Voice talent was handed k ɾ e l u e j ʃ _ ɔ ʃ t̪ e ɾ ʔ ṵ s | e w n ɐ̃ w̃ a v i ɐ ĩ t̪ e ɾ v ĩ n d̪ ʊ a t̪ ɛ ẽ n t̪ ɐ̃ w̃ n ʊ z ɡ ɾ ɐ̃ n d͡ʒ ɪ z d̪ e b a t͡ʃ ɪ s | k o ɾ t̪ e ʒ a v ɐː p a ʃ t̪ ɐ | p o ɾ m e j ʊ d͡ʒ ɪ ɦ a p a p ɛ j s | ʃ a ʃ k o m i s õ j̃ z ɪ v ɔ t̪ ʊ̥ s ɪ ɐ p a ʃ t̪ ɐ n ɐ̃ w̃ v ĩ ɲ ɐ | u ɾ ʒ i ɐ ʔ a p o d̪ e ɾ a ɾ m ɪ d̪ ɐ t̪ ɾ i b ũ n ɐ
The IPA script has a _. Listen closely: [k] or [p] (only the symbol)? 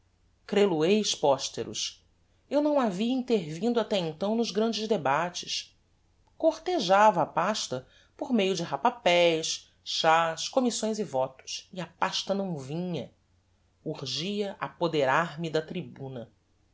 p